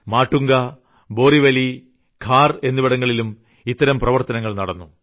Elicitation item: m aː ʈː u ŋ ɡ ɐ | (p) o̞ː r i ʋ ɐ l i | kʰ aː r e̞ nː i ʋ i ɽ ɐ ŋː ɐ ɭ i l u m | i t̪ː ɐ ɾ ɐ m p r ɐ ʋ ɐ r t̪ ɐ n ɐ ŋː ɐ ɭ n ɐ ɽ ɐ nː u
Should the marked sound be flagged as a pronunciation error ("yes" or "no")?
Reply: yes